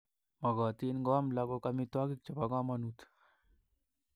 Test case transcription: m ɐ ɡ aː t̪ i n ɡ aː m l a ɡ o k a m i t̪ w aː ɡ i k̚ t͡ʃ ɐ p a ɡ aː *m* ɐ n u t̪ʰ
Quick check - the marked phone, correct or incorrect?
correct